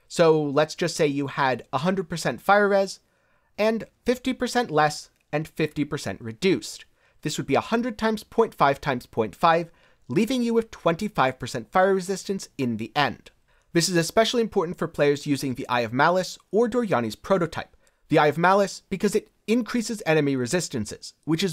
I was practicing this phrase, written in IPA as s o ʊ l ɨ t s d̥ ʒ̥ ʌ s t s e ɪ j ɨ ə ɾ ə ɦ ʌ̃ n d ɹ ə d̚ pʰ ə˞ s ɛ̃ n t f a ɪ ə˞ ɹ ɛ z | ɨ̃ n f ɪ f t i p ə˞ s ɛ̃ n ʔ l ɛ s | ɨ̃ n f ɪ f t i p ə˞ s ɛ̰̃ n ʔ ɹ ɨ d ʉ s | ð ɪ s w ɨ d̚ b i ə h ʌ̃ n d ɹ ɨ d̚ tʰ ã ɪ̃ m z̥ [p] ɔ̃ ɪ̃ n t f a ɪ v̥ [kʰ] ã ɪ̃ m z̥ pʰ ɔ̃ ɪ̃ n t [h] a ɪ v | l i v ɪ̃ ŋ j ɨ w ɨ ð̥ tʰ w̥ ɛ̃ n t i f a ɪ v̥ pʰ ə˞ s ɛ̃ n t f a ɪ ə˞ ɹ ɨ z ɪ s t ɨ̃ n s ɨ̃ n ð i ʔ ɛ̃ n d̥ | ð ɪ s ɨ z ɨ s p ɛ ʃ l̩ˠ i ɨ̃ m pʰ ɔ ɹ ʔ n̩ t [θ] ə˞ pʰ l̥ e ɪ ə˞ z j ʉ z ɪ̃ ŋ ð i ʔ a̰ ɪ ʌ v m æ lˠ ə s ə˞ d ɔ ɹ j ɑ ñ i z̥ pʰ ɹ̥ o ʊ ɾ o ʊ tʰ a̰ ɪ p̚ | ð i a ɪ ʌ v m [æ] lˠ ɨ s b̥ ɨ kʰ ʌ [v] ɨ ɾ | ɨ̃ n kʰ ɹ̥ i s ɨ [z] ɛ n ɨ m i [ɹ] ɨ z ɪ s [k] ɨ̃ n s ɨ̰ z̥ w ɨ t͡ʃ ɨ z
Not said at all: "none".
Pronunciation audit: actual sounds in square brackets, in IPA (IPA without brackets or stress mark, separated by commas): pʰ, tʰ, f, f, æ, z, z, ɹ, t